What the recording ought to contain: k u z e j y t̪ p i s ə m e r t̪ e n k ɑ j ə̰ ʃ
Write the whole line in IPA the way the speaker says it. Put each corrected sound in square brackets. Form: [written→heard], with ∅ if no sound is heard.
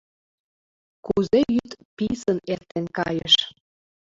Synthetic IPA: k u z e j y t̪ p i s ə [m→n] e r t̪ e n k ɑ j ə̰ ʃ

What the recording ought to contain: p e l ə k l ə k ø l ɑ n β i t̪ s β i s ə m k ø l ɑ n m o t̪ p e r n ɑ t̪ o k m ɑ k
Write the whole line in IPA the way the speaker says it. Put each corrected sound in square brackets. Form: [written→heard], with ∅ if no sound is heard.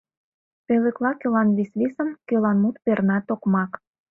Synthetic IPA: p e l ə k l [ə→ɑ] k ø l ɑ n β i [t̪→∅] s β i s ə m k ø l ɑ n m [o→u] t̪ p e r n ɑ t̪ o k m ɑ k

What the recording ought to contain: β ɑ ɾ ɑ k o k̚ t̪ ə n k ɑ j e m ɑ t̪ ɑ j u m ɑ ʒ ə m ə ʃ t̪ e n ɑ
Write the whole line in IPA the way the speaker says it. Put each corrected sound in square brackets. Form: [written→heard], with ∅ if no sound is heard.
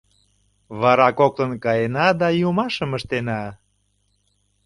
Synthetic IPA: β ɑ ɾ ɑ k o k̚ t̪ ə n k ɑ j e [m→n] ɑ [t̪→d̪] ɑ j u m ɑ [ʒ→ʃ] ə m ə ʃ t̪ e n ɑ

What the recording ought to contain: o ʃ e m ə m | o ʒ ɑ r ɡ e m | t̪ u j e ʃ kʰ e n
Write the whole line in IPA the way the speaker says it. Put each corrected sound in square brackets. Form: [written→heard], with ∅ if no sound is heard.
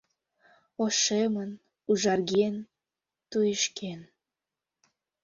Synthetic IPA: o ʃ e m ə [m→n] | [o→u] ʒ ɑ r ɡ e [m→n] | t̪ u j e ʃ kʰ e n

